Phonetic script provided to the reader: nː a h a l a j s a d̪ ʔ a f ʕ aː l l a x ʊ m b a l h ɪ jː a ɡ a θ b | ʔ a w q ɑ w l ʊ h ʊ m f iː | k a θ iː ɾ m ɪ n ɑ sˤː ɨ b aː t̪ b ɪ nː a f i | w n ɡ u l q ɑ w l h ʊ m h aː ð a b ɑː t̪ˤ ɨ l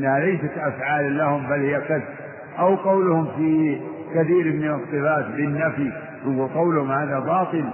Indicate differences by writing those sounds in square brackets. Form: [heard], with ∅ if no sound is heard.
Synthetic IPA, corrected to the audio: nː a h a l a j s a [t̪] ʔ a f ʕ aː l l a [h] ʊ m b a l h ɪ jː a [k] a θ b | ʔ a w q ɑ w l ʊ h ʊ m f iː | k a θ iː ɾ m ɪ n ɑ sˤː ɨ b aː t̪ b ɪ nː a f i | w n ɡ u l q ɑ w l h ʊ m h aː ð a b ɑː t̪ˤ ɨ l